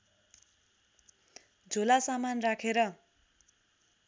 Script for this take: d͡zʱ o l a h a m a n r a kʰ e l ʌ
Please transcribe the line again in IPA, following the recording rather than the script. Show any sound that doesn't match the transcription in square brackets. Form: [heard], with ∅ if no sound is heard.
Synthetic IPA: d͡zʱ o l a [s] a m a n r a kʰ e [ɾ] ʌ